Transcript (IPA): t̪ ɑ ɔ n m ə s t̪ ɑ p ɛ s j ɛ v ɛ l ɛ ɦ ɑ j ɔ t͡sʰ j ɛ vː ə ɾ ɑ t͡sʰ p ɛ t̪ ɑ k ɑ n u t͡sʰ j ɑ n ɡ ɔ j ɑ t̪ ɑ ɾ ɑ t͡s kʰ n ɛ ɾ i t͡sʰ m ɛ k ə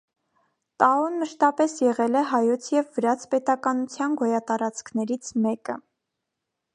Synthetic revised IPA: t̪ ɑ ɔ n m ə ʃ t̪ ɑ p ɛ s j ɛ ʁ ɛ l ɛ ɦ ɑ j ɔ t͡sʰ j ɛ vː ə ɾ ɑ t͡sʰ p ɛ t̪ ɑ k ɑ n u t͡sʰ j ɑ n ɡ ɔ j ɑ t̪ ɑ ɾ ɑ t͡s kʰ n ɛ ɾ i t͡sʰ m ɛ k ə